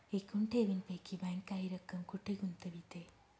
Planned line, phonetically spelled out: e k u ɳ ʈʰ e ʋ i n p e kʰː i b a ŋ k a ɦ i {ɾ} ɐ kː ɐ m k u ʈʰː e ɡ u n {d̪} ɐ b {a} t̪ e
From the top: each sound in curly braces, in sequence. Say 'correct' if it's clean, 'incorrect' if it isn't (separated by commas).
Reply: correct, incorrect, incorrect